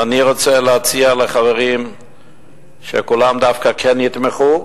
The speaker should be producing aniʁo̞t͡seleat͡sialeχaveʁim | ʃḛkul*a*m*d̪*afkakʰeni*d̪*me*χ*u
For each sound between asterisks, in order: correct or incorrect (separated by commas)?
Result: correct, correct, incorrect, correct